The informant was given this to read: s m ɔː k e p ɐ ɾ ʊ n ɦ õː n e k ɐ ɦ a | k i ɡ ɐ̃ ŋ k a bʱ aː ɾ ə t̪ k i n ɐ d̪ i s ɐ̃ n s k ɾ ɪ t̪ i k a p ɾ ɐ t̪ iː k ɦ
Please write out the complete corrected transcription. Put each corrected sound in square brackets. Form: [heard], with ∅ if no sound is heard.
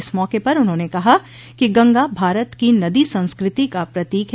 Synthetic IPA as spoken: s m ɔː k e p ɐ ɾ ʊ n ɦ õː n e k ɐ ɦ a | k i ɡ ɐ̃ ŋ [ɡ] a bʱ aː ɾ ə t̪ k i n ɐ d̪ i s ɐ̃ n s k ɾ ɪ t̪ i k a p ɾ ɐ t̪ iː k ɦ